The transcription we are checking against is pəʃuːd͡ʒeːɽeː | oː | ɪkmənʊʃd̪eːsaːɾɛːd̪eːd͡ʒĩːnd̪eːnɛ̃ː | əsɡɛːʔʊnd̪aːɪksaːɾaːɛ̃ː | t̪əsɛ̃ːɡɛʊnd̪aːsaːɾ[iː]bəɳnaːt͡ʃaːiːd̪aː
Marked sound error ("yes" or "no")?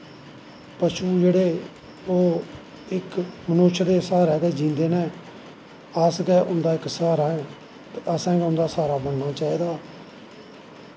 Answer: yes